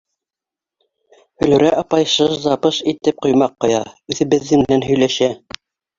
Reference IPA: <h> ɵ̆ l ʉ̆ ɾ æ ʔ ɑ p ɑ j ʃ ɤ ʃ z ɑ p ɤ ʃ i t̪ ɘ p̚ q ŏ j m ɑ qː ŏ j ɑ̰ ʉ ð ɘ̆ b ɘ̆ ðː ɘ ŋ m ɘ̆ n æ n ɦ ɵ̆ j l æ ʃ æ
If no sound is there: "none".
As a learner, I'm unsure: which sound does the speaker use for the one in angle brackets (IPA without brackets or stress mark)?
h